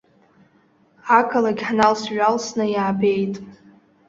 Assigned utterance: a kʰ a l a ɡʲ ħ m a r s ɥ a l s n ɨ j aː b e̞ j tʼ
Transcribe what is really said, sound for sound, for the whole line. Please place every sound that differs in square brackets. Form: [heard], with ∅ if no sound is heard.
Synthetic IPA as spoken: a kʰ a l a ɡʲ ħ [n] a [l] s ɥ a l s n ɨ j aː b e̞ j tʼ